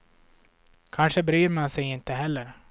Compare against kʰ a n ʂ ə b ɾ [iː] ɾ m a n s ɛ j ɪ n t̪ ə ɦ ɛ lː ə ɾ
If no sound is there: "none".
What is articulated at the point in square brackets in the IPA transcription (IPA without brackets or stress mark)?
yː